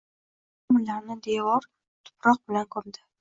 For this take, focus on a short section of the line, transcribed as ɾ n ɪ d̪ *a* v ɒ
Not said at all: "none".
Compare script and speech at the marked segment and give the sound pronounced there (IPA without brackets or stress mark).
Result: e